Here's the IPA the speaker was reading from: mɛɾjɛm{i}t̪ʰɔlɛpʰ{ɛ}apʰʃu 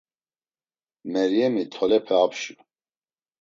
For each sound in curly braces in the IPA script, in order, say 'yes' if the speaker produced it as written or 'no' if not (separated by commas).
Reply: yes, yes